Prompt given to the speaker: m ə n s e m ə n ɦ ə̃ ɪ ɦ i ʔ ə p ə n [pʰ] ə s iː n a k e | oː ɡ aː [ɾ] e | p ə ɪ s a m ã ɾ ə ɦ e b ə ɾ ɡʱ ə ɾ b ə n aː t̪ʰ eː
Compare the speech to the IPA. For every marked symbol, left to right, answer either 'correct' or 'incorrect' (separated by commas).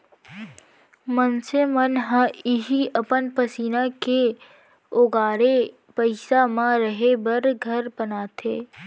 incorrect, correct